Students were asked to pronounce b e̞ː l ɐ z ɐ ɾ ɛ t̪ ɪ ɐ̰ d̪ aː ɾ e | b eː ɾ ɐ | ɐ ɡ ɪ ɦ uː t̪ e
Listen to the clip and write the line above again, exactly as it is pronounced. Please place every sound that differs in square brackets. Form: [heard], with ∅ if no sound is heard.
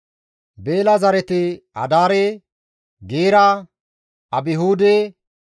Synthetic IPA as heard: b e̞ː l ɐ z ɐ ɾ ɛ t̪ ɪ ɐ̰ d̪ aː ɾ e | [ɡ] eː ɾ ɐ | ɐ [b] ɪ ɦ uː [d̪] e

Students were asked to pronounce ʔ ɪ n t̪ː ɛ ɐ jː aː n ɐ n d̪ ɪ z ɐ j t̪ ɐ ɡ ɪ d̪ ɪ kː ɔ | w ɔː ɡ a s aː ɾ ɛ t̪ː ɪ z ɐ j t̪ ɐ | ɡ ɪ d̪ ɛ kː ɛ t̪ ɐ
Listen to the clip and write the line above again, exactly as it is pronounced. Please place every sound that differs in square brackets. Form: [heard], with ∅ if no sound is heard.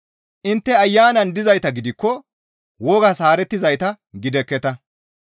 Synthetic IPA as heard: ʔ ɪ n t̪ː ɛ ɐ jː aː n ɐ n d̪ ɪ z ɐ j t̪ ɐ ɡ ɪ d̪ ɪ kː ɔ | w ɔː ɡ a s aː ɾ ɛ t̪ː ɪ z ɐ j t̪ ɐ | ɡ ɪ d̪ ɛ kː ɛ t̪ ɐ

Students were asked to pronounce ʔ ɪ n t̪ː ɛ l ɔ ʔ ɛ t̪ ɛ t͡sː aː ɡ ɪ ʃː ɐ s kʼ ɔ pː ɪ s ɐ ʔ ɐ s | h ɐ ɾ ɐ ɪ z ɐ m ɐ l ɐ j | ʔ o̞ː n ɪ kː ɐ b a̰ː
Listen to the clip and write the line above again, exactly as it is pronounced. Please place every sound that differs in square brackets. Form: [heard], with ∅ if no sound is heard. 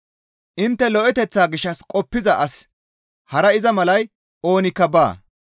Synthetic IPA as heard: ʔ ɪ n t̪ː ɛ l ɔ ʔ ɛ t̪ ɛ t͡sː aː ɡ ɪ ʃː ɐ s kʼ ɔ pː ɪ [z] ɐ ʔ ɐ s | h ɐ ɾ ɐ ɪ z ɐ m ɐ l ɐ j | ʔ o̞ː n ɪ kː ɐ b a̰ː

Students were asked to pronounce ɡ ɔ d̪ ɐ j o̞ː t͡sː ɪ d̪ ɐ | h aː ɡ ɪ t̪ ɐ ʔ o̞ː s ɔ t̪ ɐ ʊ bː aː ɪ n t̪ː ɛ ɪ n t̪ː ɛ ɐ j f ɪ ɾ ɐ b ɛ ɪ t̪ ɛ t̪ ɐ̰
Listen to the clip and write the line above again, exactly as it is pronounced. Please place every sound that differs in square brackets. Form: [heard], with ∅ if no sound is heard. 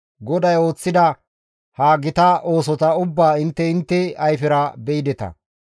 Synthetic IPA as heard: ɡ ɔ d̪ ɐ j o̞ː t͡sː ɪ d̪ ɐ | h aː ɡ ɪ t̪ ɐ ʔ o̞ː s ɔ t̪ ɐ ʊ bː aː ɪ n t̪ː ɛ ɪ n t̪ː ɛ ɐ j f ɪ ɾ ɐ b ɛ ɪ [d̪] ɛ t̪ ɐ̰

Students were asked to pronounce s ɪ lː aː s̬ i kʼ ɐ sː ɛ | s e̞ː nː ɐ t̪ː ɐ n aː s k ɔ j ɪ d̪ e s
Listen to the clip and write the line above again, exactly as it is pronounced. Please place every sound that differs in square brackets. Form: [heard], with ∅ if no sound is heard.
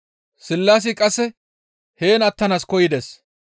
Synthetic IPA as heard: s ɪ lː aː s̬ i kʼ ɐ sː ɛ | [h] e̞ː [n] ɐ t̪ː ɐ n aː s k ɔ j ɪ d̪ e s

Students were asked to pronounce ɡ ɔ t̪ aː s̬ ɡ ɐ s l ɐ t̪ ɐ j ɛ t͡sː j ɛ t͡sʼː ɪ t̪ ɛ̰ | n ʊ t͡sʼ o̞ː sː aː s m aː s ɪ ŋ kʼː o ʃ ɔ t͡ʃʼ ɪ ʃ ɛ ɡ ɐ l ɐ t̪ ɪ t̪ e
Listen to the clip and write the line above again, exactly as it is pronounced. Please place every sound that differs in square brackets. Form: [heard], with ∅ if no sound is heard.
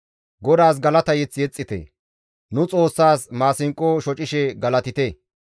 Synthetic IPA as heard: ɡ ɔ [d̪] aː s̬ ɡ ɐ [∅] l ɐ t̪ ɐ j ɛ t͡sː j ɛ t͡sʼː ɪ t̪ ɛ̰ | n ʊ t͡sʼ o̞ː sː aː s m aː s ɪ ŋ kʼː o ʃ ɔ t͡ʃʼ ɪ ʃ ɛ ɡ ɐ l ɐ t̪ ɪ t̪ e

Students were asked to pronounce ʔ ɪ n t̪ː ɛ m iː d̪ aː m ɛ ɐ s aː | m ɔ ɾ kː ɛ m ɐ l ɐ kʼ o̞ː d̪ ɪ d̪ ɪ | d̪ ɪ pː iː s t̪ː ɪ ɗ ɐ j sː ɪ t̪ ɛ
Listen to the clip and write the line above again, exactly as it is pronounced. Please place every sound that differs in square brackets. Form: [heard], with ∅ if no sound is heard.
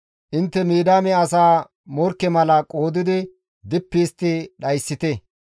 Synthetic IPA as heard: ʔ ɪ n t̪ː ɛ m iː d̪ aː m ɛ ɐ s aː | m ɔ ɾ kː ɛ m ɐ l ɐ kʼ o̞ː d̪ ɪ d̪ ɪ | d̪ ɪ pː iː s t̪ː ɪ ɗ ɐ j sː ɪ t̪ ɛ

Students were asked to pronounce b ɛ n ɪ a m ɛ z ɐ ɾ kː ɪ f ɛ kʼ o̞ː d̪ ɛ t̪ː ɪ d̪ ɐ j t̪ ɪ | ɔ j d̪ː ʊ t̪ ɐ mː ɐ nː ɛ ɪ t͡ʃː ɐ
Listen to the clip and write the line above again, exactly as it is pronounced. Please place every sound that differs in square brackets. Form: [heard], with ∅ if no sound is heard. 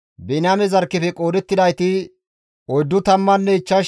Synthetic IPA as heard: b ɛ n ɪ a m ɛ z ɐ ɾ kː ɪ f ɛ kʼ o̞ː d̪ ɛ t̪ː ɪ d̪ ɐ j t̪ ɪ | ɔ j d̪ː ʊ t̪ ɐ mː ɐ nː ɛ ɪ t͡ʃː ɐ

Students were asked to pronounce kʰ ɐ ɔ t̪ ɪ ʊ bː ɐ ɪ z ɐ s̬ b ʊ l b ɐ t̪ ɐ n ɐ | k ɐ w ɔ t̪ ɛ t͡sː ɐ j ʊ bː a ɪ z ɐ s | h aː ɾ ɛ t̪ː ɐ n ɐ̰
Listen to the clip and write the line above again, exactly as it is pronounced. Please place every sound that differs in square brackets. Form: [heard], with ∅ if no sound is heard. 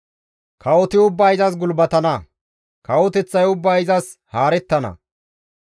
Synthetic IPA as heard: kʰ ɐ ɔ t̪ ɪ ʊ bː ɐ ɪ z ɐ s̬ [ɡ] ʊ l b ɐ t̪ ɐ n ɐ | k ɐ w ɔ t̪ ɛ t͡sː ɐ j ʊ bː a ɪ z ɐ s | h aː ɾ ɛ t̪ː ɐ n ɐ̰

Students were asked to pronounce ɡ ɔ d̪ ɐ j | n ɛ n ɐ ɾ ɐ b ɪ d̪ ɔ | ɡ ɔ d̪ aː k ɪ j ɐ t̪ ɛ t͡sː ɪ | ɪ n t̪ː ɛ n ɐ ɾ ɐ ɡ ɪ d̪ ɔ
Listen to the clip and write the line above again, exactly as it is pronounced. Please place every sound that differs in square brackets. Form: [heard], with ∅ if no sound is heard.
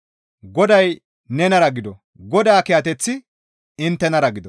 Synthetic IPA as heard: ɡ ɔ d̪ ɐ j | n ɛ n ɐ ɾ ɐ [ɡ] ɪ d̪ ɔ | ɡ ɔ d̪ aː k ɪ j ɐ t̪ ɛ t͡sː ɪ | ɪ n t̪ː ɛ n ɐ ɾ ɐ ɡ ɪ d̪ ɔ

